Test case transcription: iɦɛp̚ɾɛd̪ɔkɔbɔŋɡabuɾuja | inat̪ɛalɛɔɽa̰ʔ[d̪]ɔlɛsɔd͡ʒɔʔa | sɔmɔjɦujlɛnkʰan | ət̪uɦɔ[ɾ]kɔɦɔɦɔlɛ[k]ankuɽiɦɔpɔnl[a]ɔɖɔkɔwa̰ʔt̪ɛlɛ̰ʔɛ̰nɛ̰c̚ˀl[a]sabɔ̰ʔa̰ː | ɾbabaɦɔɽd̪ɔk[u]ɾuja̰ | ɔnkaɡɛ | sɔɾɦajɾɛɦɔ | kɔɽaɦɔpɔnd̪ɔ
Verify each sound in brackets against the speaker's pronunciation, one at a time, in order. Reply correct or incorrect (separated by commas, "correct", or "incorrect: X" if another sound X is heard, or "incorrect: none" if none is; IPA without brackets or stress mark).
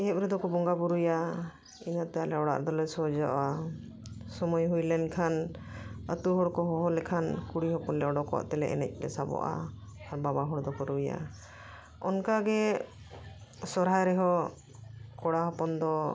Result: correct, incorrect: ɽ, incorrect: kʰ, incorrect: ɛ, incorrect: ɛ, incorrect: ɔ